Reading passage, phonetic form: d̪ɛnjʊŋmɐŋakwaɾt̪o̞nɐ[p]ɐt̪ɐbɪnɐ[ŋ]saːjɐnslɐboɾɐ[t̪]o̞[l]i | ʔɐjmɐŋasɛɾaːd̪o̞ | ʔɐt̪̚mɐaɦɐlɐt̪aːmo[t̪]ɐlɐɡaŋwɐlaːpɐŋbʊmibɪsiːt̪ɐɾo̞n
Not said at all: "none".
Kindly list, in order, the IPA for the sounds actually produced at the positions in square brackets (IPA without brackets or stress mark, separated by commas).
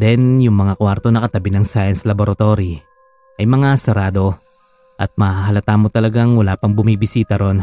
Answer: k, ŋ, t̪, ɾ, t̪